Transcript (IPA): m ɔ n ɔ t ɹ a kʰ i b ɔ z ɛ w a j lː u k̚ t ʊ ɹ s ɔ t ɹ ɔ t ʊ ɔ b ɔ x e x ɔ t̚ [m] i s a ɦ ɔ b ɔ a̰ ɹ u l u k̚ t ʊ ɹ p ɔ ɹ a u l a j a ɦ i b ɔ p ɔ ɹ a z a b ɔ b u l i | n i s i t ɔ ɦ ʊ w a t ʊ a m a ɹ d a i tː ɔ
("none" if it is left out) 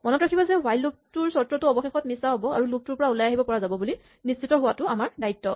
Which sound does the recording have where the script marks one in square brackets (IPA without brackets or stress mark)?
m